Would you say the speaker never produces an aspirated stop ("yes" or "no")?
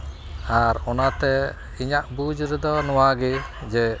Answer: yes